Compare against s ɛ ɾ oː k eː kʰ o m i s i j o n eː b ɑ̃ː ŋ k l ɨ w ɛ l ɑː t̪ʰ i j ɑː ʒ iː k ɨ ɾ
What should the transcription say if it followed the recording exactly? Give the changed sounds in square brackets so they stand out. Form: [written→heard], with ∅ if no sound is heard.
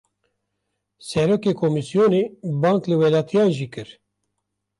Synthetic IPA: s ɛ ɾ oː k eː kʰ o m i s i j o n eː b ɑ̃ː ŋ k l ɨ w ɛ l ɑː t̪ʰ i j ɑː ʒ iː k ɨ ɾ